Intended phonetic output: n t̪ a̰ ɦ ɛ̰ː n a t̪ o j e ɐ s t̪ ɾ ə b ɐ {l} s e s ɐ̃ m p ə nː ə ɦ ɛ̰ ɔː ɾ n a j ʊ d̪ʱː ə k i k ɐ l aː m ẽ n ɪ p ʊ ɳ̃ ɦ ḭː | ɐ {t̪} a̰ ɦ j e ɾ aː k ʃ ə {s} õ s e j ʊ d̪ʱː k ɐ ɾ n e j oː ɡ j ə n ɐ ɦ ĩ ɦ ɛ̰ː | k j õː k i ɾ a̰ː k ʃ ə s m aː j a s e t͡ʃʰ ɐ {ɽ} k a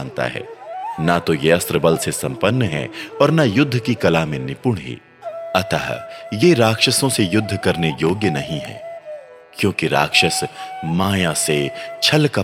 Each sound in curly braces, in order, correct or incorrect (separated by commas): correct, correct, correct, incorrect